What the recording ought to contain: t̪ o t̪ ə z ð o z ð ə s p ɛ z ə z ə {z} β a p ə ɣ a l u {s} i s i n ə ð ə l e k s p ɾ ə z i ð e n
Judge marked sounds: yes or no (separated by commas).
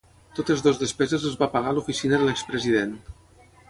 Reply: yes, no